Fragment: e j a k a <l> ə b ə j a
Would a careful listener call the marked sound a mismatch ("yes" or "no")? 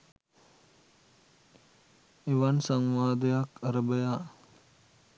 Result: yes